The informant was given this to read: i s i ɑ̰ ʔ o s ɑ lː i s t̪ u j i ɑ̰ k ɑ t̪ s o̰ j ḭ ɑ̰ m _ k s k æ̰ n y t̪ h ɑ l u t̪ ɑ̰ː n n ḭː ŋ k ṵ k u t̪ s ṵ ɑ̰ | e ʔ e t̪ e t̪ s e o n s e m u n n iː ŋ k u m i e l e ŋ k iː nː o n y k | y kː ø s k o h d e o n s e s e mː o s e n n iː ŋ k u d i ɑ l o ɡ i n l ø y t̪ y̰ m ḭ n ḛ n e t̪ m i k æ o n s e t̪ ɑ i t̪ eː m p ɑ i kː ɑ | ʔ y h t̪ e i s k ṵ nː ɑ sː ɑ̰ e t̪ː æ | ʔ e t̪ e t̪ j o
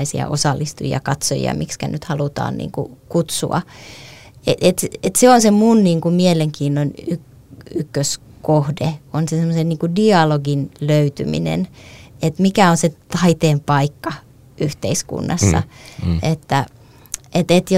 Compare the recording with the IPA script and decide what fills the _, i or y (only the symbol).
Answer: i